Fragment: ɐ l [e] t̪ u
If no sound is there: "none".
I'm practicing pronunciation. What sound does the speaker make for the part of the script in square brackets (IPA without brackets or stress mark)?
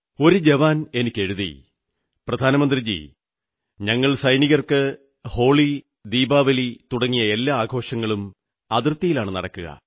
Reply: i